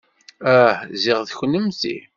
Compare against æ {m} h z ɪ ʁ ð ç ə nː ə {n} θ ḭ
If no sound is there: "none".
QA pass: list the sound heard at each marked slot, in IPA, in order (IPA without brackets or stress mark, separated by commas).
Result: none, m